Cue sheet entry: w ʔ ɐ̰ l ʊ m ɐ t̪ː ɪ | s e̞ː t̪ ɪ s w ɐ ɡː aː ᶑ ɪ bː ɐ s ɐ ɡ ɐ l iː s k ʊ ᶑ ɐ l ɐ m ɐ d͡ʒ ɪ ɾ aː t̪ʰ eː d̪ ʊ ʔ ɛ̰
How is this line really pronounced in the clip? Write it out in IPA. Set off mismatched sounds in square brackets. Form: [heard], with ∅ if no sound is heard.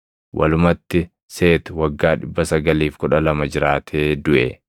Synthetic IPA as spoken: w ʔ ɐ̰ l ʊ m ɐ t̪ː ɪ | s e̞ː t̪ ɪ [∅] w ɐ ɡː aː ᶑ ɪ bː ɐ s ɐ ɡ ɐ l iː [f] k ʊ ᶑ ɐ l ɐ m ɐ d͡ʒ ɪ ɾ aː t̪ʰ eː d̪ ʊ ʔ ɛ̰